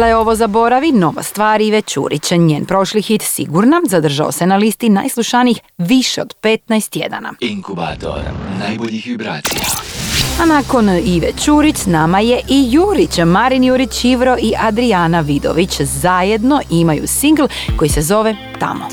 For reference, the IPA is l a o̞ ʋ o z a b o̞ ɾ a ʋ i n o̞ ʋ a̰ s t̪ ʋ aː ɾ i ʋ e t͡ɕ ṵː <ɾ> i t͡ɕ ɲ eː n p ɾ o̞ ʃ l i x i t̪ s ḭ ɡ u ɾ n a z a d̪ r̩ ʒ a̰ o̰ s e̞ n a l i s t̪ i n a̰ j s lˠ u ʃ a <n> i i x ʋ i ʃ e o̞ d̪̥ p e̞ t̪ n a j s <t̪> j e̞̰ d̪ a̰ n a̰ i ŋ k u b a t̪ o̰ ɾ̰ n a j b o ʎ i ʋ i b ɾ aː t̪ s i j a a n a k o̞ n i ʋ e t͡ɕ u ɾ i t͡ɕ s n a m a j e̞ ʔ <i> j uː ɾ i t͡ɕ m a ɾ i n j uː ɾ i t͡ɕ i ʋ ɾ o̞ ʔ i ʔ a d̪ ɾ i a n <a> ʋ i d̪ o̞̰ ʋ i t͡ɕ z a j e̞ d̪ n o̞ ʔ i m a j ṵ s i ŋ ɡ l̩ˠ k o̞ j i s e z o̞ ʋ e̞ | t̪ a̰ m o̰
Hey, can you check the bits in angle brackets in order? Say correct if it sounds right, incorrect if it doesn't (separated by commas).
correct, correct, correct, correct, correct